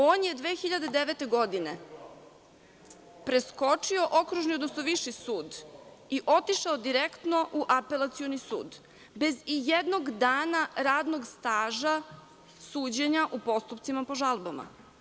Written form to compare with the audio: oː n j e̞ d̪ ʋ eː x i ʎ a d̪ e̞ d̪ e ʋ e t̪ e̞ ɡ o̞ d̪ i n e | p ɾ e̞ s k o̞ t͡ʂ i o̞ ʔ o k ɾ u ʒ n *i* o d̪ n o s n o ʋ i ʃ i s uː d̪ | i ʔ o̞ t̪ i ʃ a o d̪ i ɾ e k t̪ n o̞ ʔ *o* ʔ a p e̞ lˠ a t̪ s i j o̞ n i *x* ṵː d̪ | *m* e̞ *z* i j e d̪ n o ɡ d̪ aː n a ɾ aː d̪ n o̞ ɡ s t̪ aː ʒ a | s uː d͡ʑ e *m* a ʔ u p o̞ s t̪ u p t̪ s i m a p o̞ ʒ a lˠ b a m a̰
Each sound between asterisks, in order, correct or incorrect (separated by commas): correct, incorrect, incorrect, incorrect, correct, incorrect